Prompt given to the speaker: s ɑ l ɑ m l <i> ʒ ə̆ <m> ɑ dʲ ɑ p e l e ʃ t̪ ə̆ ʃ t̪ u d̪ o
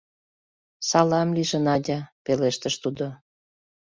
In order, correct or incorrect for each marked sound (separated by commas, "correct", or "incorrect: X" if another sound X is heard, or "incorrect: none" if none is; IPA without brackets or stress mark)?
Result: correct, incorrect: n